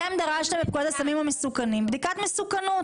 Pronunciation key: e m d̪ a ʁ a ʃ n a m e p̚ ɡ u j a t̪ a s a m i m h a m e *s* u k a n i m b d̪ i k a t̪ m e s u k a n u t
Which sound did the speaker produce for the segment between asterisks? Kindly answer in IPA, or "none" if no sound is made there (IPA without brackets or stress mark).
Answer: s